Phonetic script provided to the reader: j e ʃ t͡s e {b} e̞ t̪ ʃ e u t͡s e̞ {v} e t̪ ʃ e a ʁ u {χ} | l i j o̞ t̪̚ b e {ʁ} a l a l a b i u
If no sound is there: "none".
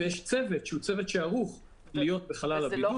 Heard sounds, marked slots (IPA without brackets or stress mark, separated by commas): v, v, χ, χ